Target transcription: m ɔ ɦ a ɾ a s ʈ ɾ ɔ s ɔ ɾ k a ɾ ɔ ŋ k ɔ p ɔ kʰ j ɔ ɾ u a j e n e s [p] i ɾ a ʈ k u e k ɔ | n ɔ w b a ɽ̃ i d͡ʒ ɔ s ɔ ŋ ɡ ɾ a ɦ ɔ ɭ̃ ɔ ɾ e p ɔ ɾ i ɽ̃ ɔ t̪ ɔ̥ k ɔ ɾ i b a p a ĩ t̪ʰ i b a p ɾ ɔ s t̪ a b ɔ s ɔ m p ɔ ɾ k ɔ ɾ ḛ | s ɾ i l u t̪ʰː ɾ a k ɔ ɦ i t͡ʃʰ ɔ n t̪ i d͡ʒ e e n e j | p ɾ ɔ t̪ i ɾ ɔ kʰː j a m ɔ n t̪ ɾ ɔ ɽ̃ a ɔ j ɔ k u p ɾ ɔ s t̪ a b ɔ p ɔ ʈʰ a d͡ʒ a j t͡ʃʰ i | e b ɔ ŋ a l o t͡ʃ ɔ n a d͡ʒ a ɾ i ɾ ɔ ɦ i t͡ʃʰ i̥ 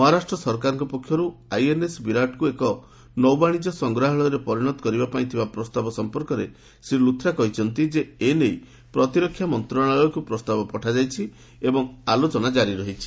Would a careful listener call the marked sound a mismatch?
yes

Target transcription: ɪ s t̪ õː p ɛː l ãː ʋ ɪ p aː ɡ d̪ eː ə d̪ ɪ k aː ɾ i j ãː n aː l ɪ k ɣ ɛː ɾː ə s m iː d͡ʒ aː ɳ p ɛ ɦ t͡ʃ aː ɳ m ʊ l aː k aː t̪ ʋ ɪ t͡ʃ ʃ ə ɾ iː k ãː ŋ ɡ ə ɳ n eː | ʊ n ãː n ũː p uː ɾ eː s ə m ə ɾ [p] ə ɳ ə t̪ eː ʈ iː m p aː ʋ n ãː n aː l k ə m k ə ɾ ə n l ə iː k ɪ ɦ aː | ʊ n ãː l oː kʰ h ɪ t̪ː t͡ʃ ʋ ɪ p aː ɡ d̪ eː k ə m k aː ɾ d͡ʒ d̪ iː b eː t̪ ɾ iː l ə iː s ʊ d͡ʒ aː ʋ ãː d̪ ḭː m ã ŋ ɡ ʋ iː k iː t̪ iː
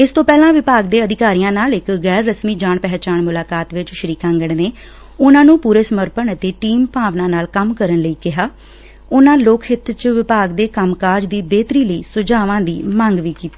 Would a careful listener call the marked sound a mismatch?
no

